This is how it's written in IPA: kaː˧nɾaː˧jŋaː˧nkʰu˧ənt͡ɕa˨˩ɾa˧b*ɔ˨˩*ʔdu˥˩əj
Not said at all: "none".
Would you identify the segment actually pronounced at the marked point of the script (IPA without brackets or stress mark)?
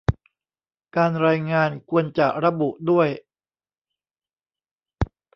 u˨˩